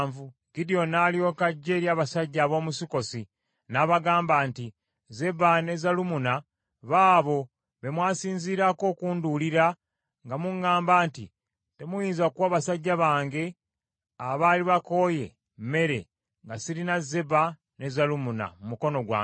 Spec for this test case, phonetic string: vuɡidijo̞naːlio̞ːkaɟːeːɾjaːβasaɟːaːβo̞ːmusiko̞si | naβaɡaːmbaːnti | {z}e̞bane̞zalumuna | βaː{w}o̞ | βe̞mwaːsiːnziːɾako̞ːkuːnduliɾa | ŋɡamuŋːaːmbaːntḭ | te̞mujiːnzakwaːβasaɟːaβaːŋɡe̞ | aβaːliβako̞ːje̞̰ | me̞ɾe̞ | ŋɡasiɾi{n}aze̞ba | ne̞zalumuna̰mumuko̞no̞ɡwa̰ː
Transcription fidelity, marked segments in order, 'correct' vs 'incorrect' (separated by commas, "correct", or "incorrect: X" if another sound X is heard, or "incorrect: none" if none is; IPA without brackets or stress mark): correct, incorrect: β, correct